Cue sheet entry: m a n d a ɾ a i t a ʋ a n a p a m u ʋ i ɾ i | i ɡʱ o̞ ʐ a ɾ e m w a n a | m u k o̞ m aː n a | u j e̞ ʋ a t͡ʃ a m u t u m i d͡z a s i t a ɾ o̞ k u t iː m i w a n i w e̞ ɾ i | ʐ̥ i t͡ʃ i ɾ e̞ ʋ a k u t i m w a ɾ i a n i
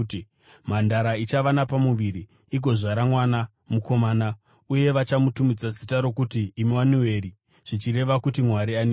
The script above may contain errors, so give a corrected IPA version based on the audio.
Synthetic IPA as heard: m a n d a ɾ a i t͡ʃ a ʋ a n a p a m u ʋ i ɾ i | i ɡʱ o̞ ʐ a ɾ a m w a n a | m u k o̞ m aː n a | u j e̞ ʋ a t͡ʃ a m u t u m i d͡z a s i t a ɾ o̞ k u t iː m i w a n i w e̞ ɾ i | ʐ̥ i t͡ʃ i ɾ e̞ ʋ a k u t i m w a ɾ i a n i